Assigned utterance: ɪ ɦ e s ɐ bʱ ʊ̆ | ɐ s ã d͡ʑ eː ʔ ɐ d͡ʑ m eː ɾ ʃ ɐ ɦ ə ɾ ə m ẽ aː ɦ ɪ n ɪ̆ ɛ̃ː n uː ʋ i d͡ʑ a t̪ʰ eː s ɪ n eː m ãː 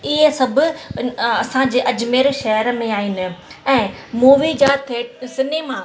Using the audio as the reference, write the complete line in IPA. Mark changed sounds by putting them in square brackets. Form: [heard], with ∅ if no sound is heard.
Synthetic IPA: ɪ ɦ e s ɐ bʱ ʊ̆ | ɐ s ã d͡ʑ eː ʔ ɐ d͡ʑ m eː ɾ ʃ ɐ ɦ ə ɾ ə m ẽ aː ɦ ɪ n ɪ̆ ɛ̃ː [m] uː ʋ i d͡ʑ a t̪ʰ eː s ɪ n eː m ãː